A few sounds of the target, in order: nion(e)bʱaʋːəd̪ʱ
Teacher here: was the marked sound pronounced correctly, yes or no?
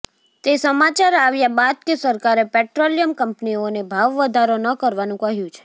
yes